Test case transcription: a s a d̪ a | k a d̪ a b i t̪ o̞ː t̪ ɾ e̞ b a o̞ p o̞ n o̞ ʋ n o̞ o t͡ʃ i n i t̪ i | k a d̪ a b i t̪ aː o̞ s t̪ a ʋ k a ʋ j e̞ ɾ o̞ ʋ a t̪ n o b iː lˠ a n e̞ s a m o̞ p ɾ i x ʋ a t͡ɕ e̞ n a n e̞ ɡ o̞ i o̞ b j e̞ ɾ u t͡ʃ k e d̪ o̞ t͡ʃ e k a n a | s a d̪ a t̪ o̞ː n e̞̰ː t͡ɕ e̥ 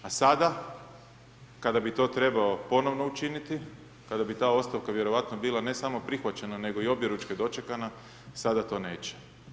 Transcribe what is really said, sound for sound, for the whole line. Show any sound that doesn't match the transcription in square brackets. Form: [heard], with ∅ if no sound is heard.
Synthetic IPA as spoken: a s a d̪ a | k a d̪ a b i t̪ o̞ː t̪ ɾ e̞ b a o̞ p o̞ n o̞ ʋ n o̞ [u] t͡ʃ i n i t̪ i | k a d̪ a b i t̪ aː o̞ s t̪ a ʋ k a ʋ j e̞ ɾ o̞ ʋ a t̪ n o b iː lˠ a n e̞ s a m o̞ p ɾ i x ʋ a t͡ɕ e̞ n a n e̞ ɡ o̞ i o̞ b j e̞ ɾ u t͡ʃ k e d̪ o̞ t͡ʃ e k a n a | s a d̪ a t̪ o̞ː n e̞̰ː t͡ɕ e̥